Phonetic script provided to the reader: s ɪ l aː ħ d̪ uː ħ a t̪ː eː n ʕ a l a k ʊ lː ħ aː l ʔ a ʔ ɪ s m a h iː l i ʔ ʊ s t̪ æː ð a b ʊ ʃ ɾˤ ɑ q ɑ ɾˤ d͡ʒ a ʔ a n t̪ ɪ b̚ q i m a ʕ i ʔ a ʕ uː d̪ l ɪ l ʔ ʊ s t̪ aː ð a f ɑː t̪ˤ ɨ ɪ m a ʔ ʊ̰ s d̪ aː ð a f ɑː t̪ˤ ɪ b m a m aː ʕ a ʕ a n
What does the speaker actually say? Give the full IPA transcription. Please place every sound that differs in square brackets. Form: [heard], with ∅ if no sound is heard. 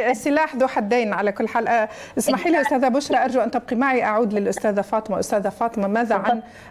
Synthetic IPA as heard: s ɪ l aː ħ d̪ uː ħ a [d̪ː] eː n ʕ a l a k ʊ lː ħ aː l ʔ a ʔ ɪ s m a [ħ] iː l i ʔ ʊ s t̪ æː ð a b ʊ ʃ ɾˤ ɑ [ʔ] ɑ ɾˤ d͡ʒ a ʔ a n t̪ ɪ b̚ q i m a ʕ i ʔ a ʕ uː d̪ l ɪ l ʔ ʊ s t̪ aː ð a f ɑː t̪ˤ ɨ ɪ m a ʔ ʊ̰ s [t̪] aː ð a f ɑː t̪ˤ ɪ [∅] m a m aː [ð] a ʕ a n

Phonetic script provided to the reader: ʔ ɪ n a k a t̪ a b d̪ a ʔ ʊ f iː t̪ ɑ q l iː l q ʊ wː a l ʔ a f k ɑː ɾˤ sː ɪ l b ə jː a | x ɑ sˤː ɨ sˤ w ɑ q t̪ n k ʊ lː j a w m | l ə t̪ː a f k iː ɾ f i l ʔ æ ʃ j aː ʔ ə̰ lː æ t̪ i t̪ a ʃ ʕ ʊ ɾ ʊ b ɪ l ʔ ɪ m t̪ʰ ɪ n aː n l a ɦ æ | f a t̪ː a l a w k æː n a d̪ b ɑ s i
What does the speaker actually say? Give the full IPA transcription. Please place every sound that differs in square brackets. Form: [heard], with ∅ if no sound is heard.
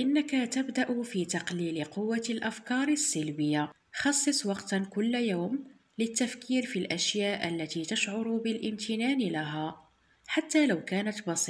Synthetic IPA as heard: ʔ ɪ [nː] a k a t̪ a b d̪ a ʔ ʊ f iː t̪ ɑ q l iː l q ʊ wː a l ʔ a f k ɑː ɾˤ sː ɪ l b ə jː a | x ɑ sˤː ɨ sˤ w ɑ q t̪ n k ʊ lː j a w m | l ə t̪ː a f k iː ɾ f i l ʔ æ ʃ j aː ʔ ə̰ lː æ t̪ i t̪ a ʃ ʕ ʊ ɾ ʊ b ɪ l ʔ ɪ m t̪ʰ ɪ n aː n l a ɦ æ | [ħ] a t̪ː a l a w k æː n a [t̪] b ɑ s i

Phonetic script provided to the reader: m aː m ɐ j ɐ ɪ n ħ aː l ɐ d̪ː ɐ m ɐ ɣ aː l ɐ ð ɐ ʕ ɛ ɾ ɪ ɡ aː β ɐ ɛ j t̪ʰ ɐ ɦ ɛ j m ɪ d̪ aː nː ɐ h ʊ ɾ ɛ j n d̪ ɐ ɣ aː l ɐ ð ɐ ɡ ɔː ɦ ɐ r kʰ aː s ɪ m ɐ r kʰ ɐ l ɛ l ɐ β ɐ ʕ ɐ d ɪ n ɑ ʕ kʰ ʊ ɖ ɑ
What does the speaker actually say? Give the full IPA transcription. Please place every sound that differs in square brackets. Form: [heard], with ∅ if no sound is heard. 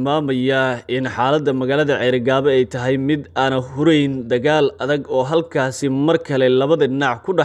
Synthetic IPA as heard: m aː m ɐ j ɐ ɪ n ħ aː l ɐ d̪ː ɐ m ɐ ɣ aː l ɐ ð ɐ ʕ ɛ ɾ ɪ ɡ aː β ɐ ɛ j t̪ʰ ɐ ɦ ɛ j m ɪ d̪ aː [n] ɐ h ʊ ɾ ɛ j n d̪ ɐ ɣ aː l ɐ ð ɐ ɡ ɔː ɦ ɐ [l] kʰ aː s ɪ m ɐ r kʰ ɐ l ɛ l ɐ β ɐ [ð] ɐ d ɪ n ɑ ʕ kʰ ʊ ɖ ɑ

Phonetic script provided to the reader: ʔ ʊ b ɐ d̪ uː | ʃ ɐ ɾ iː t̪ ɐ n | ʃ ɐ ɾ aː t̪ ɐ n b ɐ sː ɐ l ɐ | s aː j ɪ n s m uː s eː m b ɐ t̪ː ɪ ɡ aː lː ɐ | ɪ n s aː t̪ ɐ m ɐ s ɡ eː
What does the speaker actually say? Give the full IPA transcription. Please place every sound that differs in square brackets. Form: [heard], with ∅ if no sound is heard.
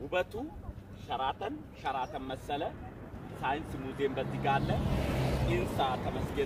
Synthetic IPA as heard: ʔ ʊ b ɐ [t̪] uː | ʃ ɐ ɾ [aː] t̪ ɐ n | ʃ ɐ ɾ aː t̪ ɐ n [m] ɐ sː ɐ l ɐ | s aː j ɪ n s m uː [z] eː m b ɐ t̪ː ɪ ɡ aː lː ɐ | ɪ n s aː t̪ ɐ m ɐ s ɡ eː

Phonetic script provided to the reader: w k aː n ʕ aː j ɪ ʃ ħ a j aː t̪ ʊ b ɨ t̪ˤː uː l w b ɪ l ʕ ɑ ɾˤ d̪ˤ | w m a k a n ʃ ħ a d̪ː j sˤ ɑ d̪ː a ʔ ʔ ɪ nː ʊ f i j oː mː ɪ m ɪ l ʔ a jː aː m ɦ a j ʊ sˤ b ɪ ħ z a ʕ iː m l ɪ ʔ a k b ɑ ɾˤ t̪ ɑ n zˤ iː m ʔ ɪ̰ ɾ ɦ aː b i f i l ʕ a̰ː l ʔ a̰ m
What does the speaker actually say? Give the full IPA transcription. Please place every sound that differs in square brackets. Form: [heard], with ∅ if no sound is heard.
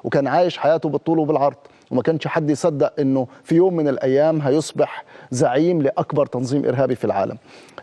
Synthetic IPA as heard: w k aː n ʕ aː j ɪ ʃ ħ a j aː t̪ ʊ b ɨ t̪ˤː uː l w b ɪ l ʕ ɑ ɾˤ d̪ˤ | w m a k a n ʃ ħ a d̪ː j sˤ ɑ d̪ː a ʔ ʔ ɪ nː ʊ f i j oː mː ɪ [n] ɪ l ʔ a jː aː m ɦ a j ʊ sˤ b ɪ ħ z a ʕ iː m l ɪ ʔ a k b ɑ ɾˤ t̪ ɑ n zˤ iː m ʔ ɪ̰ ɾ ɦ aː b i f i l ʕ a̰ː l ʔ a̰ m

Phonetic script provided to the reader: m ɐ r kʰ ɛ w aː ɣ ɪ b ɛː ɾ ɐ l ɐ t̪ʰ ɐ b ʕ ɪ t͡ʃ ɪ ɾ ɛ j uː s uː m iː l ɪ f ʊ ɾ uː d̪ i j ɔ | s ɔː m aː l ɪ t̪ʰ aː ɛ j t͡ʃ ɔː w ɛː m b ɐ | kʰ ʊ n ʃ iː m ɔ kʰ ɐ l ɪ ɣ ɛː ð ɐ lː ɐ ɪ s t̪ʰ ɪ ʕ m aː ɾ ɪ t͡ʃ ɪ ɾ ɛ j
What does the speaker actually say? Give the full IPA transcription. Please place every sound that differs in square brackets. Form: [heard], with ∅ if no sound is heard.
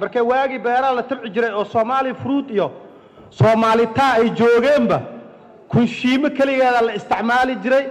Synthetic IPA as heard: m ɐ r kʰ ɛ w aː ɣ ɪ b ɛː ɾ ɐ l ɐ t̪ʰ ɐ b ʕ ɪ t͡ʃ ɪ ɾ ɛ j [ɔː] s [ɔː] m [aː] l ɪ f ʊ ɾ uː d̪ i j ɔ | s ɔː m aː l ɪ t̪ʰ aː ɛ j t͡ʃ ɔː [ɣ] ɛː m b ɐ | kʰ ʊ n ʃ iː m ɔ kʰ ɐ l ɪ ɣ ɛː ð ɐ [l] ɐ ɪ s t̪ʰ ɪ ʕ m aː [l] ɪ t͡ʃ ɪ ɾ ɛ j

